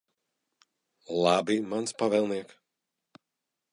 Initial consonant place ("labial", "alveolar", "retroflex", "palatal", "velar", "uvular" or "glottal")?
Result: alveolar